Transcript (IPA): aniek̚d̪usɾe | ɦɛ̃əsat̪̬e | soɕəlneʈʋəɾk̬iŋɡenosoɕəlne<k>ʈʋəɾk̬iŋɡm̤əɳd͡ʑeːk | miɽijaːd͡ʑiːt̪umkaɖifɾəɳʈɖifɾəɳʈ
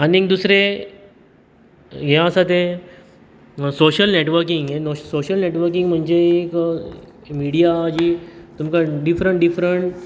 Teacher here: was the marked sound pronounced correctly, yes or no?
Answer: no